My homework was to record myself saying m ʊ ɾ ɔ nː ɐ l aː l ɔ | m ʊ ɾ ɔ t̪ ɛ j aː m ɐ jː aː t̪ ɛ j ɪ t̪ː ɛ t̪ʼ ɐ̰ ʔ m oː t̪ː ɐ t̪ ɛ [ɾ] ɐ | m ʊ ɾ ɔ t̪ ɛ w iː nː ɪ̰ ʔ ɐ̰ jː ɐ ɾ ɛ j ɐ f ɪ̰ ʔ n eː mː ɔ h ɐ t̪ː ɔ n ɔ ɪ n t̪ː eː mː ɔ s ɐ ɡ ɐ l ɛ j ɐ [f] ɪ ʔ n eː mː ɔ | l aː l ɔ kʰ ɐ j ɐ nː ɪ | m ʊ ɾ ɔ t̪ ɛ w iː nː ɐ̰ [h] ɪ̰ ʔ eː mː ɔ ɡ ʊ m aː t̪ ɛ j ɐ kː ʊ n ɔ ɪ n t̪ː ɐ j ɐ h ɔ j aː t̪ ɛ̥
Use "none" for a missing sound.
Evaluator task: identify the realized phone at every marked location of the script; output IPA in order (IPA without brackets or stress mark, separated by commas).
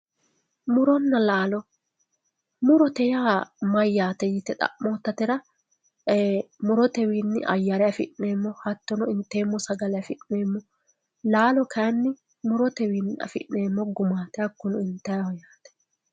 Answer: ɾ, f, f